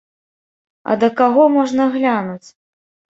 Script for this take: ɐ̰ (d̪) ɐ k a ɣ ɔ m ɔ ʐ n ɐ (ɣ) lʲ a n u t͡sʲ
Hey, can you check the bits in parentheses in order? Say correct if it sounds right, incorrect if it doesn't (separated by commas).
correct, correct